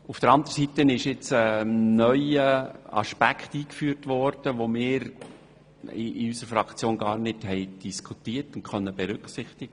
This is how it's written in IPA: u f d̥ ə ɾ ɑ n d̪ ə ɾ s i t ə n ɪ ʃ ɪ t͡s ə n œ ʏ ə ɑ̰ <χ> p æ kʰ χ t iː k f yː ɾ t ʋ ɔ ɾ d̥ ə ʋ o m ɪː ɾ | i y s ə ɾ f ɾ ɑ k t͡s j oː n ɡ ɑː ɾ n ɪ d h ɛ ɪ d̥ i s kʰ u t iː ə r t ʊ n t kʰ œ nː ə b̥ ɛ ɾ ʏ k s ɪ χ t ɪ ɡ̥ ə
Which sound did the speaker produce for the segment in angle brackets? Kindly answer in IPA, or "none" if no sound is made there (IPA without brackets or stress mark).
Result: ʃ